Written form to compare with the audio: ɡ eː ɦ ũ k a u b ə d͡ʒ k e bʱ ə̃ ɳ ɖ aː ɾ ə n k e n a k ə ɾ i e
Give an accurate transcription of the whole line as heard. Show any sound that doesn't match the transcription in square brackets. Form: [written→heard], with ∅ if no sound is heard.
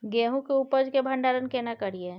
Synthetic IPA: ɡ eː ɦ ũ k [a→e] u [b→p] ə d͡ʒ k e bʱ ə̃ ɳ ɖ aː ɾ ə n k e n a k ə ɾ i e